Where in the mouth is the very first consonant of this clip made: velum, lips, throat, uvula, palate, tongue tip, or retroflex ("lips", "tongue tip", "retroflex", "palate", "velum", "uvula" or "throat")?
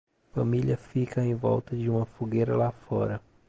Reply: lips